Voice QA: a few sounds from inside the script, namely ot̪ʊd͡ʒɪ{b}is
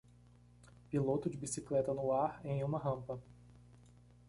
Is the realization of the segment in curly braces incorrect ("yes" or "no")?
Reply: no